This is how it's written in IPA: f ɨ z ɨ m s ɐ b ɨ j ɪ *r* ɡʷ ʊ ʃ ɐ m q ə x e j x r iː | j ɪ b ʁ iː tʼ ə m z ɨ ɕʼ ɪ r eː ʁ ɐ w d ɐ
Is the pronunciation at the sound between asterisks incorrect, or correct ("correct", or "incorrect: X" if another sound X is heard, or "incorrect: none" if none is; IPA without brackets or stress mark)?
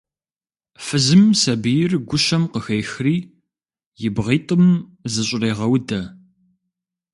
correct